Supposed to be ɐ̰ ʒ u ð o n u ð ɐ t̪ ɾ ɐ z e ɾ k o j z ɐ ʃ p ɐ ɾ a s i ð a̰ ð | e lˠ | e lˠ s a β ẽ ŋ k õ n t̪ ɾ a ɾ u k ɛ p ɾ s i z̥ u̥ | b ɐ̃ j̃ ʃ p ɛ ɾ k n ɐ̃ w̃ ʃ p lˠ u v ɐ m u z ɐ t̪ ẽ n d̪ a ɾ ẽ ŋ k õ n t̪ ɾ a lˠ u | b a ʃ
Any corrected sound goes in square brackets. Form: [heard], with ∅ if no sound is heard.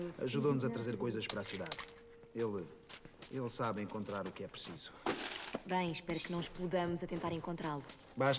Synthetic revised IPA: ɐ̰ ʒ u ð o n u [z] ɐ t̪ ɾ ɐ z e ɾ k o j z ɐ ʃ p ɐ ɾ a s i ð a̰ ð | e lˠ | e lˠ s a β ẽ ŋ k õ n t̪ ɾ a ɾ u k ɛ p ɾ s i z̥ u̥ | b ɐ̃ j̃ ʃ p ɛ ɾ k n ɐ̃ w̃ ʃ p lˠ u [ð] ɐ m u z ɐ t̪ ẽ n [t̪] a ɾ ẽ ŋ k õ n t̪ ɾ a lˠ u | b a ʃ